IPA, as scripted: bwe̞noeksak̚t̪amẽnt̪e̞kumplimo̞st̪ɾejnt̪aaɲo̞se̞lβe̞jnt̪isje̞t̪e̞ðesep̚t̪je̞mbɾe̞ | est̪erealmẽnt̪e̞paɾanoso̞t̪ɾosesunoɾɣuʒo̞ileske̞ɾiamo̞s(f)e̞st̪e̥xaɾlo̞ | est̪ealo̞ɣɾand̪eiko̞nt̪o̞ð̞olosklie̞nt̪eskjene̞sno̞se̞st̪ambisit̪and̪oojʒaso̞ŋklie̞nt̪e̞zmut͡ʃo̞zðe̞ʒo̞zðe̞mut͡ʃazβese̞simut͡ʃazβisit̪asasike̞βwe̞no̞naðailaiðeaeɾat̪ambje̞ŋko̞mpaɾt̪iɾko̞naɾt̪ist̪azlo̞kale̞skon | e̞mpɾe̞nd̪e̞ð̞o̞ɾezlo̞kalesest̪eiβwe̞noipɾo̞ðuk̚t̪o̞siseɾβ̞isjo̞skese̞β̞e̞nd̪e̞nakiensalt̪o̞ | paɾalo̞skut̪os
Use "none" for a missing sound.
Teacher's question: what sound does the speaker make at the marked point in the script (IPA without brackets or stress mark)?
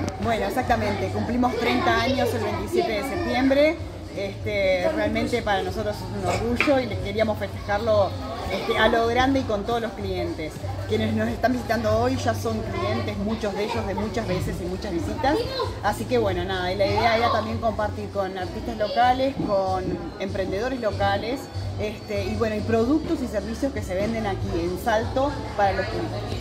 f